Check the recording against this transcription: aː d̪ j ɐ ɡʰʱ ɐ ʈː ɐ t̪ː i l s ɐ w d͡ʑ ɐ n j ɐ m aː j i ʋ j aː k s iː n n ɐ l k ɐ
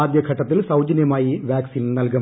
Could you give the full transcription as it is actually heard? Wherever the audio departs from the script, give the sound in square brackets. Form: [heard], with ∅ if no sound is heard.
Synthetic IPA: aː d̪ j ɐ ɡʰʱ ɐ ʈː ɐ t̪ː i l s ɐ w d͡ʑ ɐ n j ɐ m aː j i ʋ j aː k s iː n n ɐ l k ɐ